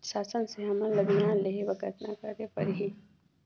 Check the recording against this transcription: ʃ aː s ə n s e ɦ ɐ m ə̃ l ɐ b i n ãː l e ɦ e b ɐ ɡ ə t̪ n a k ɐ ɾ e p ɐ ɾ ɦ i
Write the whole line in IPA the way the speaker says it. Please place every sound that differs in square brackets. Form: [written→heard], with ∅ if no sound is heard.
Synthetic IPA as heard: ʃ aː s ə n s e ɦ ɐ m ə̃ l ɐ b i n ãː l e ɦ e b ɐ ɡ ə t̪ n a k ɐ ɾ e p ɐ ɾ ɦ i